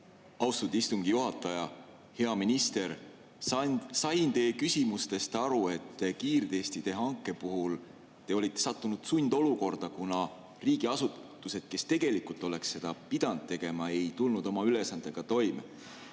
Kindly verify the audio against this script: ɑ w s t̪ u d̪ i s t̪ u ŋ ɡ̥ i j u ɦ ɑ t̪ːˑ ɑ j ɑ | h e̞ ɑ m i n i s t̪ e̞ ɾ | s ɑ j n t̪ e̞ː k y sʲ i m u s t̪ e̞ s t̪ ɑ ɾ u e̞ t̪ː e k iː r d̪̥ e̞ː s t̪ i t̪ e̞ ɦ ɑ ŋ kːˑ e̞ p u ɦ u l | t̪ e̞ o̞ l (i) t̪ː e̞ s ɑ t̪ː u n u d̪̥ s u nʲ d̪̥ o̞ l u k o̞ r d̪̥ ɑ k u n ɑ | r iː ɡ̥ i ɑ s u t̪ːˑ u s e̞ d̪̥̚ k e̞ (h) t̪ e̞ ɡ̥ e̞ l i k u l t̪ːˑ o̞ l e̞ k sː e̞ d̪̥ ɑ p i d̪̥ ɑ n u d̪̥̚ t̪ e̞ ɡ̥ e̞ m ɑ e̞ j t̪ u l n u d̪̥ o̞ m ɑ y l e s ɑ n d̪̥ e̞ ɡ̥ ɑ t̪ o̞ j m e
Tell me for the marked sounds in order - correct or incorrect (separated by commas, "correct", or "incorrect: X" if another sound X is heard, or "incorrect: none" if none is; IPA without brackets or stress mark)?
correct, incorrect: s